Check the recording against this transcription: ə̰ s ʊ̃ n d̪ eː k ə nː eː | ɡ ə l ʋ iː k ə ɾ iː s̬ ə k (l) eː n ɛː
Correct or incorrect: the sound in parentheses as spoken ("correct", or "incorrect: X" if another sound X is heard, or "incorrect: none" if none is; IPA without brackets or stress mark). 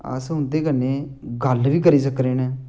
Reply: incorrect: ɾ